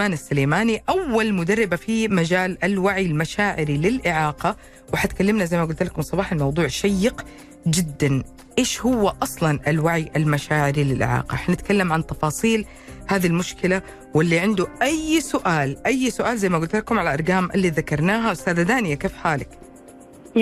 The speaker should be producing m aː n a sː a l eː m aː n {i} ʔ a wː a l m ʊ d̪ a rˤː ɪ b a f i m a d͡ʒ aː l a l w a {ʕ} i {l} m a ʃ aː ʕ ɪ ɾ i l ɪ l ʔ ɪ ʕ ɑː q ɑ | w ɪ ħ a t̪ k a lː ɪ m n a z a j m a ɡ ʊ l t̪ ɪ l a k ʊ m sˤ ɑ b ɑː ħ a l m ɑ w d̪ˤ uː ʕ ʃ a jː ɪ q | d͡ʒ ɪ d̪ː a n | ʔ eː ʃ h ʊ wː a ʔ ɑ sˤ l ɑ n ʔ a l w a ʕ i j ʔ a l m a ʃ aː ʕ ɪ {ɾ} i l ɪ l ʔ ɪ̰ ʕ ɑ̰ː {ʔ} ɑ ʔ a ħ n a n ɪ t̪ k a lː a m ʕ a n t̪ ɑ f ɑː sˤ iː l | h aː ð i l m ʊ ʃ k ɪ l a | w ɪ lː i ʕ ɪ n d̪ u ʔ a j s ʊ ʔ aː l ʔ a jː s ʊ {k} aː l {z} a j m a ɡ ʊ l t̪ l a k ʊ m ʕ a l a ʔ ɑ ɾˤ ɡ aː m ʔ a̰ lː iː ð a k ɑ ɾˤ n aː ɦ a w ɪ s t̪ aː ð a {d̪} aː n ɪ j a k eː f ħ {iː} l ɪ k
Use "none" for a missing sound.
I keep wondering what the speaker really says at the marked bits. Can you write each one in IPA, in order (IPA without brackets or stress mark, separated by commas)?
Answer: i, ʕ, l, ɾ, q, ʔ, z, d̪, aː